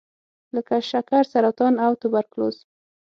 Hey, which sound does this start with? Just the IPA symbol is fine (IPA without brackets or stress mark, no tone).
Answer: l